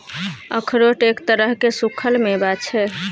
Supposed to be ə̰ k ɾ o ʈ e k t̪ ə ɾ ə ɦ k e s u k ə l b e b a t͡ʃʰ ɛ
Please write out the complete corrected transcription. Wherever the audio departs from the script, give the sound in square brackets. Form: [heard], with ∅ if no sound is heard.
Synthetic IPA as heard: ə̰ [kʰ] ɾ o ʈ e k t̪ ə ɾ ə ɦ k e s u [kʰ] ə l [m] e b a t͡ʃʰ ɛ